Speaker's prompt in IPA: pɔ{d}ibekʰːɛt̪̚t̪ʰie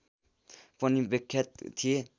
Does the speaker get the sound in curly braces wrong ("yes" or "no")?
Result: yes